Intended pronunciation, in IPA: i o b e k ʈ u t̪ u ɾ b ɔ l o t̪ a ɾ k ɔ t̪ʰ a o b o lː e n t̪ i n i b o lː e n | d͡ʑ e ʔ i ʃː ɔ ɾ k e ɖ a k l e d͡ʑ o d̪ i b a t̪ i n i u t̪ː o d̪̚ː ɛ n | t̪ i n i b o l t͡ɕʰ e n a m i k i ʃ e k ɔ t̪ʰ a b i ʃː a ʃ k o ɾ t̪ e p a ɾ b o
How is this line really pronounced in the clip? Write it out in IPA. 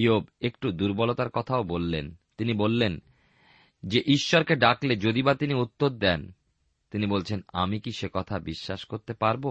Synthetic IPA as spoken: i o b e k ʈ u d̪ u ɾ b ɔ l o t̪ a ɾ k ɔ t̪ʰ a o b o lː e n t̪ i n i b o lː e n | d͡ʑ e ʔ i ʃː ɔ ɾ k e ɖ a k l e d͡ʑ o d̪ i b a t̪ i n i u t̪ː o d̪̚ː ɛ n | t̪ i n i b o l t͡ɕʰ e n a m i k i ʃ e k ɔ t̪ʰ a b i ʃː a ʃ k o ɾ t̪ e p a ɾ b o